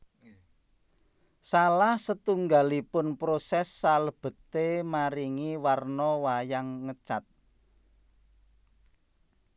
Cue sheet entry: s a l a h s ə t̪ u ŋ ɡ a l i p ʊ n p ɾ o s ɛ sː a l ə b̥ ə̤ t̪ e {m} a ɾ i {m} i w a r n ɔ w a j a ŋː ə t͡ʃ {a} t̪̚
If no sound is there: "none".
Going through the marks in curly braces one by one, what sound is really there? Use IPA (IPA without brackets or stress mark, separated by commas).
m, ŋ, a